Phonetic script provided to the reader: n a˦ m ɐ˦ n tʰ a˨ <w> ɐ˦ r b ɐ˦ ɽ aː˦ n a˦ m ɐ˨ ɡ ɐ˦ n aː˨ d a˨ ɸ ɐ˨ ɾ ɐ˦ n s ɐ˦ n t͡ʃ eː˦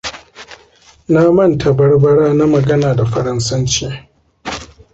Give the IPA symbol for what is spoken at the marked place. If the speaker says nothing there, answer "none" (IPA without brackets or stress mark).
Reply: b